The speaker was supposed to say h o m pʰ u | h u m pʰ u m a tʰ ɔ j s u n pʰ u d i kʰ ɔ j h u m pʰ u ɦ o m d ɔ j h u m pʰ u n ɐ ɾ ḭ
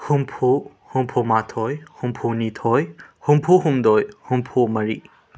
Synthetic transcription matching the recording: h u m pʰ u | h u m pʰ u m a tʰ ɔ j h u m pʰ u n i tʰ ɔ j h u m pʰ u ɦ u m d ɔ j h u m pʰ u m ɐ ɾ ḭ